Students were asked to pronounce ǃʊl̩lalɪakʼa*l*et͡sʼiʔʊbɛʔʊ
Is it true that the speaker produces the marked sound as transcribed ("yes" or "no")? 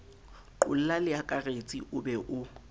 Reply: no